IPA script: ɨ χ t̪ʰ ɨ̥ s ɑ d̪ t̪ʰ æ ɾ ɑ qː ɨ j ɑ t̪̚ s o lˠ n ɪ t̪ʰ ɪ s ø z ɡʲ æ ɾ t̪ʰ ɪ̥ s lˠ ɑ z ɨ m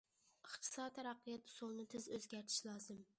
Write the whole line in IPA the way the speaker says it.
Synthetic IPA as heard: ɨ χ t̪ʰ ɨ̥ s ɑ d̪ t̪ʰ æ ɾ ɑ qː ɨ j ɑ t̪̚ s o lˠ n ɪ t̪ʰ ɪ z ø z ɡʲ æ ɾ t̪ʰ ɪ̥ ʃ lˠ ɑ z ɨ m